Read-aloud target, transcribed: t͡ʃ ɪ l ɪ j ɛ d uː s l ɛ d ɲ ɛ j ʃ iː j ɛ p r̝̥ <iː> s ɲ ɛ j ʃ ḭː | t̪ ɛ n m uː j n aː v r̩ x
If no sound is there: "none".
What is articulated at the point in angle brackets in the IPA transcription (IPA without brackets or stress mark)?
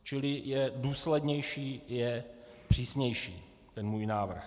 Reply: iː